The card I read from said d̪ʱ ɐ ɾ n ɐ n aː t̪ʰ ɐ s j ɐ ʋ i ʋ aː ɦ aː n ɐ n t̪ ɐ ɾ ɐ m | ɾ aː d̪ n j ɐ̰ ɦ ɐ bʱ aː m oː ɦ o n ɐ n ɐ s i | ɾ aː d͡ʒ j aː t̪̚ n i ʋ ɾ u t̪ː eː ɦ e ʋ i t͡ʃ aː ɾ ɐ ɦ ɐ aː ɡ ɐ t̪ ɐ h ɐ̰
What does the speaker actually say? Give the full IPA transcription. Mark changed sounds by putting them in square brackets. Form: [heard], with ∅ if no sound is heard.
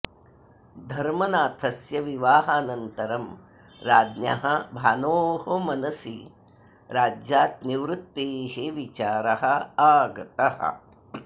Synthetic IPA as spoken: d̪ʱ ɐ ɾ [m] ɐ n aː t̪ʰ ɐ s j ɐ ʋ i ʋ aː ɦ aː n ɐ n t̪ ɐ ɾ ɐ m | ɾ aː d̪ n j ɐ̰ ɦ ɐ bʱ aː [n] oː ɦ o [m] ɐ n ɐ s i | ɾ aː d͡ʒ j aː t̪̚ n i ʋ ɾ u t̪ː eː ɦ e ʋ i t͡ʃ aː ɾ ɐ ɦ ɐ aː ɡ ɐ t̪ ɐ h ɐ̰